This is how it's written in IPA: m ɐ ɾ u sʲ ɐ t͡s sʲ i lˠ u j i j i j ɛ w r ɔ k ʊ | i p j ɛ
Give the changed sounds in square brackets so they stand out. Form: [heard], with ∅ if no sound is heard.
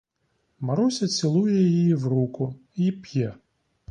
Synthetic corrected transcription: m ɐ ɾ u sʲ ɐ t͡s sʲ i lˠ u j [ɛ] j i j [i] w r [u] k ʊ | i p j ɛ